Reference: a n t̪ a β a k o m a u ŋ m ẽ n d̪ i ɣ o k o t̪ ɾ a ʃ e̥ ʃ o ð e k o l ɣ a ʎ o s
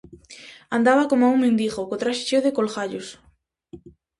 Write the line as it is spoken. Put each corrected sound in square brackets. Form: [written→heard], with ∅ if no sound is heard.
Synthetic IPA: a n [t̪→d̪] a β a k o m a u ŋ m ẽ n d̪ i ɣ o k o t̪ ɾ a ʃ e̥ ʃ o ð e k o l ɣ a ʎ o s